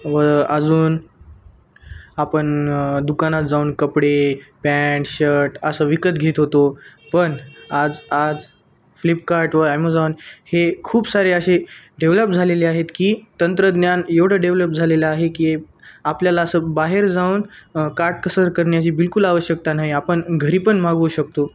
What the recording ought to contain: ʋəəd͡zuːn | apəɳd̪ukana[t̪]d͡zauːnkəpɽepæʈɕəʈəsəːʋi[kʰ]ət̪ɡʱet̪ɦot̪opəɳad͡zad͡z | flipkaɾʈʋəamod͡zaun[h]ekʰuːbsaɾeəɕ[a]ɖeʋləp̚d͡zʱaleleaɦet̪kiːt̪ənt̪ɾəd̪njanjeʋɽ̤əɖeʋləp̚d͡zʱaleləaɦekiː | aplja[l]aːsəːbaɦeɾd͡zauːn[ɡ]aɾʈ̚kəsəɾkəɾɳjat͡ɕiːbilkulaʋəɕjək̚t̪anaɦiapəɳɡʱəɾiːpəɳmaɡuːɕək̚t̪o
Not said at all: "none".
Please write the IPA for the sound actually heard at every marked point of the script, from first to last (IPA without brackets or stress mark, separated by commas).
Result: t̪, k, h, e, l, k